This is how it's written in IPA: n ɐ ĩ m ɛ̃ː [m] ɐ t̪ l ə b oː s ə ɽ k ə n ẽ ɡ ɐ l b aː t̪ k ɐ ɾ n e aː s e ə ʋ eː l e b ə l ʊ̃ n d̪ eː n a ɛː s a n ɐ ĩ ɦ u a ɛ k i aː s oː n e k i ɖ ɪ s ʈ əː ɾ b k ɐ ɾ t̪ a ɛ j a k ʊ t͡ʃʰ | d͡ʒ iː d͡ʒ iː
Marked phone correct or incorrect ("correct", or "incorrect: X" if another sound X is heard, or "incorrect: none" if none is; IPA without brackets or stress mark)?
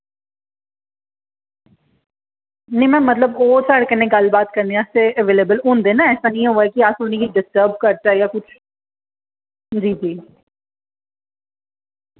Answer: correct